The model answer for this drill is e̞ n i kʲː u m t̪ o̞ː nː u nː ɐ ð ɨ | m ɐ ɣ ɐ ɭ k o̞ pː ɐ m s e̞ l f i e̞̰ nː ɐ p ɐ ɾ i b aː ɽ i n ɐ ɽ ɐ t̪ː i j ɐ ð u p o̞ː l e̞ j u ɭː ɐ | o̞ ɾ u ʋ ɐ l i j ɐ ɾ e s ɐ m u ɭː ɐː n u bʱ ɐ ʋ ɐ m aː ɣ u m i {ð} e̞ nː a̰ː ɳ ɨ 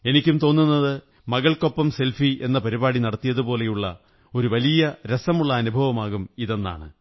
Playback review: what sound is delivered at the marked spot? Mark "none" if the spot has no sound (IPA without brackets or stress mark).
ð